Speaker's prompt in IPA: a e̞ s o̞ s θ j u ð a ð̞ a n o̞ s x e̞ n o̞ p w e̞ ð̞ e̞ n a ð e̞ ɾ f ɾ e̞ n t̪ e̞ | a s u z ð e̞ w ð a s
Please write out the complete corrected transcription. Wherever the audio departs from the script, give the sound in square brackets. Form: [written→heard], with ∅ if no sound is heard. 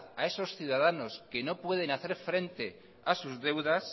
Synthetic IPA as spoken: a e̞ s o̞ s θ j u ð a ð̞ a n o̞ s [x→k] e̞ n o̞ p w e̞ ð̞ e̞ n a [ð→θ] e̞ ɾ f ɾ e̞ n t̪ e̞ | a s u z ð e̞ w ð a s